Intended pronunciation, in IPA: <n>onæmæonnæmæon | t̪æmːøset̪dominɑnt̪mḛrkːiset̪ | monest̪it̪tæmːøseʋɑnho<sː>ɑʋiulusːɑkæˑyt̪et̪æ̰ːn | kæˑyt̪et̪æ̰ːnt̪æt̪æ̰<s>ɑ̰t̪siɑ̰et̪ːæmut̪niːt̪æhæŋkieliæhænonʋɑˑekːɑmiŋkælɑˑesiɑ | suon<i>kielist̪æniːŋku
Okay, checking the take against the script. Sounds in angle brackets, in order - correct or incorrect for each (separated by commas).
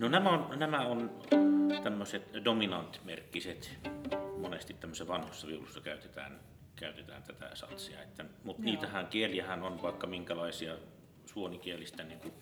correct, correct, correct, correct